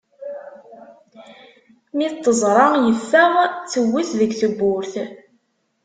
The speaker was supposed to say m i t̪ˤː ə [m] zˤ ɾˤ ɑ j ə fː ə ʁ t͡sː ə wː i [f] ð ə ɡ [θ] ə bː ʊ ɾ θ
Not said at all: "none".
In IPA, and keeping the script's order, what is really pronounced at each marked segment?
none, θ, θ

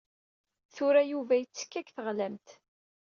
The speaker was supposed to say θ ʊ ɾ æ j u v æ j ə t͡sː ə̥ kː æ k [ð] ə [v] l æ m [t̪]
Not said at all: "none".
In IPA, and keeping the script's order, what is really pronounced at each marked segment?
θ, ʁ, t̪

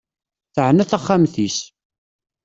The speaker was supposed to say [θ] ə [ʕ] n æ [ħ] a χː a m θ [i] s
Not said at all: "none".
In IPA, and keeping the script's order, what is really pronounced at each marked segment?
θ, ʕ, θ, i

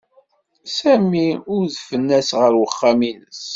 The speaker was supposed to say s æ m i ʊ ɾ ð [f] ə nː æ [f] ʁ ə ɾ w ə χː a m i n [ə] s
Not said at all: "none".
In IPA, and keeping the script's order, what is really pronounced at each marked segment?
f, s, ə

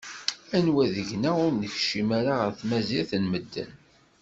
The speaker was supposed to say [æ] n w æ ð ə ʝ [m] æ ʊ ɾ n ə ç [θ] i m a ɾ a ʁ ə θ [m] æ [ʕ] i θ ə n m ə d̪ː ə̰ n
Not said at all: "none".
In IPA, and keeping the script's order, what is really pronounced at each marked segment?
æ, n, ʃ, m, z

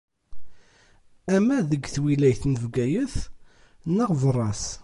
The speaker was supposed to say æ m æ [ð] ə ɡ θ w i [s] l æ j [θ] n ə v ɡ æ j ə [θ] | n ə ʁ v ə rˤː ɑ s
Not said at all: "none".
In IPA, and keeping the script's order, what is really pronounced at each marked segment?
ð, none, θ, θ

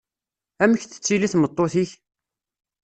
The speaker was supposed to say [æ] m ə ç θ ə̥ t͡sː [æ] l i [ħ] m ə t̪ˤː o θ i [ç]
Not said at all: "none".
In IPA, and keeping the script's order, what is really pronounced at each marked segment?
æ, i, θ, ç

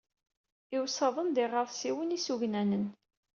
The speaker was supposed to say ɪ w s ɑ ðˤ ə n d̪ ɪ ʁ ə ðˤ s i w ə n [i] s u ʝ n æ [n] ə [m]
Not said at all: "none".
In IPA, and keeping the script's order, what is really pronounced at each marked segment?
i, n, n

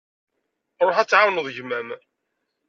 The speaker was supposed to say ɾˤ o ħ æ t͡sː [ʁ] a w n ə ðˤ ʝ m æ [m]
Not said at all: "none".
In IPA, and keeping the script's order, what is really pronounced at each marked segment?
ʕ, m

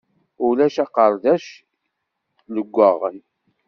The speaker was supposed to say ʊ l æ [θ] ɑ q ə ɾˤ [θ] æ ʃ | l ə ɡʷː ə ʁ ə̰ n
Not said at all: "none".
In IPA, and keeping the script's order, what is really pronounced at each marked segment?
ʃ, ð

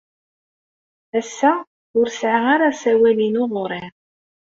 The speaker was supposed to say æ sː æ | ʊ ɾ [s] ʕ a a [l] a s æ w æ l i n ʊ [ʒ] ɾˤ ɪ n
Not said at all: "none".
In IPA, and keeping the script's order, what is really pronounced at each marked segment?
s, ɾ, ʁ

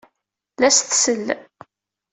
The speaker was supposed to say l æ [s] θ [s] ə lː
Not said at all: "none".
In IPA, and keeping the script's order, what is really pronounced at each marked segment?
s, s

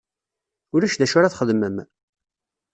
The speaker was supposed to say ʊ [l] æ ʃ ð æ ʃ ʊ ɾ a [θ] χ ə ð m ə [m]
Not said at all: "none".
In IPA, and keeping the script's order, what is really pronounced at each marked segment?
ɾ, θ, m

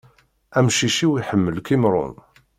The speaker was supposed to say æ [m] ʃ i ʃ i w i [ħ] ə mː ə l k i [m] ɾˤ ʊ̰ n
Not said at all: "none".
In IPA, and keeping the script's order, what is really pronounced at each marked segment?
m, ħ, m

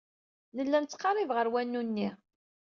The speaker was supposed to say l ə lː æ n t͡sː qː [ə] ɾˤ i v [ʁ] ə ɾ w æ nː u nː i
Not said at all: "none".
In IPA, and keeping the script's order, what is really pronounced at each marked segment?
ɑ, ʁ

